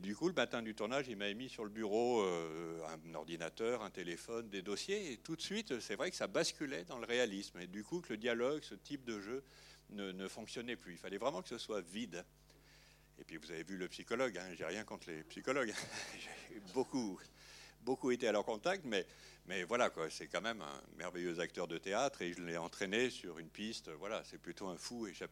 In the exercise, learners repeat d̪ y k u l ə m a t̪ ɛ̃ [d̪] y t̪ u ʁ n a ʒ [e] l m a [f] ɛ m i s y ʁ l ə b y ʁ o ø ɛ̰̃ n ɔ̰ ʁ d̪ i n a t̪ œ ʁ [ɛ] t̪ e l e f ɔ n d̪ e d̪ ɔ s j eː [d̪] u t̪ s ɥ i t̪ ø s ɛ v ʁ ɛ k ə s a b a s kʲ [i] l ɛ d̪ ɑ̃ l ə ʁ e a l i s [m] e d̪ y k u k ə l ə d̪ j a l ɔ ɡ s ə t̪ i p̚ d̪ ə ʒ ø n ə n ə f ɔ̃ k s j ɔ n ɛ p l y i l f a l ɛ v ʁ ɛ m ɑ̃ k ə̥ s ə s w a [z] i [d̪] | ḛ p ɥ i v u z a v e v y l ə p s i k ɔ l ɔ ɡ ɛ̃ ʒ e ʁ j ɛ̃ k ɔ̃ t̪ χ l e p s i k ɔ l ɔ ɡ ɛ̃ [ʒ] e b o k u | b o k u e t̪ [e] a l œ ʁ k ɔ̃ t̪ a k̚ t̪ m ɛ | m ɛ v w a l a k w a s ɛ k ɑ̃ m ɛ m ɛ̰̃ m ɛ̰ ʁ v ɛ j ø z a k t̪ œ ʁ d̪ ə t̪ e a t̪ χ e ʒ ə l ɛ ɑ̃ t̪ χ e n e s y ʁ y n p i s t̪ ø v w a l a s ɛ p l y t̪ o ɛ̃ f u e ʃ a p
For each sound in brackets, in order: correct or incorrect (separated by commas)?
correct, incorrect, incorrect, incorrect, incorrect, incorrect, correct, incorrect, correct, correct, correct